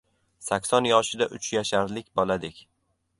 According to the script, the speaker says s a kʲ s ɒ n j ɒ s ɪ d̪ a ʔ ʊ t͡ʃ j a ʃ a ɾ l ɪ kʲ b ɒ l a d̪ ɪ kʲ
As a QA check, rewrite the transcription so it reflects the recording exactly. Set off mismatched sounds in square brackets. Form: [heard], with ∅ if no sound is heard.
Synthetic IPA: s a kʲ s ɒ n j ɒ [ʃ] ɪ d̪ a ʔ ʊ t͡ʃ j a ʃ a ɾ l ɪ kʲ b ɒ l a d̪ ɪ kʲ